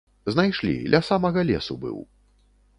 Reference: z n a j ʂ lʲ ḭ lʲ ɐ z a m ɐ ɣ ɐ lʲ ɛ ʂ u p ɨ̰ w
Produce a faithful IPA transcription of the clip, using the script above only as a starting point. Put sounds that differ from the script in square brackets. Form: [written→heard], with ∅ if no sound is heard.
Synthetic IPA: z n a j ʂ lʲ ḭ lʲ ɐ [z→s] a m ɐ ɣ ɐ lʲ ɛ [ʂ→s] u [p→b] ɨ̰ w